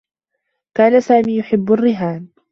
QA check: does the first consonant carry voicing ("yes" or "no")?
no